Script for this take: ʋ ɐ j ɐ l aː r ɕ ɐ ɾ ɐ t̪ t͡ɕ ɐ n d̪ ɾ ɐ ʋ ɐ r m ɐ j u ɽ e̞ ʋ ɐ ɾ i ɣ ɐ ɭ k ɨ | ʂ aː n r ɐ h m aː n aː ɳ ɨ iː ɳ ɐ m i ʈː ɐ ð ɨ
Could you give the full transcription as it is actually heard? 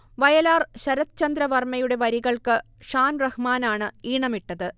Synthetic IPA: ʋ ɐ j ɐ l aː r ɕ ɐ ɾ ɐ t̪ t͡ɕ ɐ n d̪ ɾ ɐ ʋ ɐ r m ɐ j u ɽ e̞ ʋ ɐ ɾ i ɣ ɐ ɭ k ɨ | ʂ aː n r ɐ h m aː n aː ɳ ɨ iː ɳ ɐ m i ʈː ɐ ð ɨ